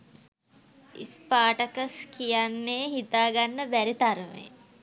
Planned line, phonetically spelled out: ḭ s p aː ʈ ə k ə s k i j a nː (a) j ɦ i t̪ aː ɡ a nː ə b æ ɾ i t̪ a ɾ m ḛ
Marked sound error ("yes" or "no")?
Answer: yes